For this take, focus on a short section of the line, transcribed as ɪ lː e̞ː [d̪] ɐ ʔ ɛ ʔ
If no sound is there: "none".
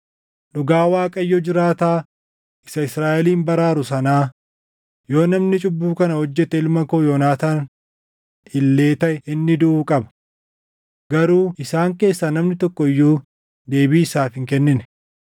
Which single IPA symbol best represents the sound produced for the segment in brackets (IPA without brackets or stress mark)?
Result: t̪